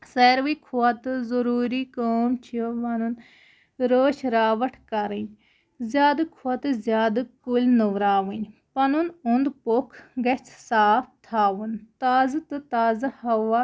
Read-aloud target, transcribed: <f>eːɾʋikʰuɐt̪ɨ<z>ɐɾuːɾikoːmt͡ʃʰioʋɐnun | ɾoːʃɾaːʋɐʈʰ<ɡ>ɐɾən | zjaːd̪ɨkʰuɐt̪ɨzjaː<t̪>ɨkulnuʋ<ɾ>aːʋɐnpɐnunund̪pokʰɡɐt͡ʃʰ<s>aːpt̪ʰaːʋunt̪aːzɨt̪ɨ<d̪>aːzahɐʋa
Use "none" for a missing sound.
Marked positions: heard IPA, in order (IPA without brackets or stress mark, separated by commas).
s, z, k, d̪, ɾ, s, t̪